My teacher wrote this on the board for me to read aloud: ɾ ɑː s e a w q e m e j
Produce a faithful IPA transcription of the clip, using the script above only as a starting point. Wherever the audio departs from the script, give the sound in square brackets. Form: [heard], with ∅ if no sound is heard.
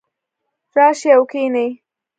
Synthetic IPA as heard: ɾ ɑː [ʃ] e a w [k] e [n] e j